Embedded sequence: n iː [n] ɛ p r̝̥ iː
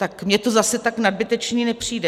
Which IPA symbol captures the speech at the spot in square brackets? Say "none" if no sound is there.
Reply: n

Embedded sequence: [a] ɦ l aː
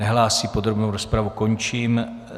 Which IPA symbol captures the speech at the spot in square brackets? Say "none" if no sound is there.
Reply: ɛ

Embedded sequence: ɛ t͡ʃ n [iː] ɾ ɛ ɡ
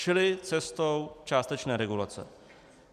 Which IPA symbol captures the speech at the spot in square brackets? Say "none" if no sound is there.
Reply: ɛː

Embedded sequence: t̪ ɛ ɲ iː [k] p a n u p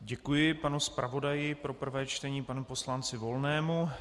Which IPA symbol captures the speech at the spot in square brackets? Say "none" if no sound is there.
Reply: none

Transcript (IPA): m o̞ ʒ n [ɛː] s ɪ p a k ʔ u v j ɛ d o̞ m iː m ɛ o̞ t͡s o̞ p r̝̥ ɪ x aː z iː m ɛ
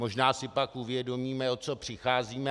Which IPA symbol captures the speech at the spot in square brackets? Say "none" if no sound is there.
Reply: aː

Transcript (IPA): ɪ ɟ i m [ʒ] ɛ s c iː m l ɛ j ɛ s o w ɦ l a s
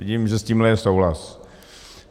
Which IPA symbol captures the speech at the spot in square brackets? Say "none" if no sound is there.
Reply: ʒ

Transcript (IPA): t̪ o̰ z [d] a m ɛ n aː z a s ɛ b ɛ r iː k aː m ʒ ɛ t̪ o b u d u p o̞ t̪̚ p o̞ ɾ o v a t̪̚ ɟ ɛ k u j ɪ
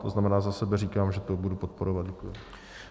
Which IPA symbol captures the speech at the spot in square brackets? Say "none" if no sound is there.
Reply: n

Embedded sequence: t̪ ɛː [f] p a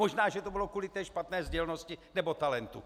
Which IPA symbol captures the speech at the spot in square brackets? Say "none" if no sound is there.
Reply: ʃ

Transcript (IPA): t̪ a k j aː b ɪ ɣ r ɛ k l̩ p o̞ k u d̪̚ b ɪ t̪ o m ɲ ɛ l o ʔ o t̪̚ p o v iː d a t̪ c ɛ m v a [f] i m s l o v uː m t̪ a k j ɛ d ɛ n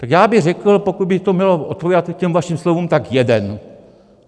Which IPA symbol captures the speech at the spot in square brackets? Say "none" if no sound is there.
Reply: ʃ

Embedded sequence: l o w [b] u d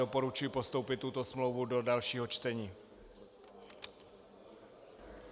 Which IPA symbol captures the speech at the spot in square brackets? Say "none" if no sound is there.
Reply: v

